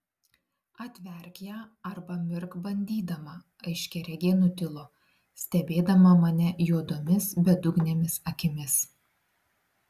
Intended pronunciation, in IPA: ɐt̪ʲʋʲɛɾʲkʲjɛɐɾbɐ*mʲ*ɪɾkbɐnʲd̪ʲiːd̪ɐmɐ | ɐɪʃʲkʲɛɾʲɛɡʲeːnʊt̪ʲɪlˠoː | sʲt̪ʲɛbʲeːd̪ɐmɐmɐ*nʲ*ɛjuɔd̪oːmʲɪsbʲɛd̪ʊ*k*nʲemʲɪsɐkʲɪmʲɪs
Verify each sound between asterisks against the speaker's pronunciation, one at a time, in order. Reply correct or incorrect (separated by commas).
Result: correct, correct, incorrect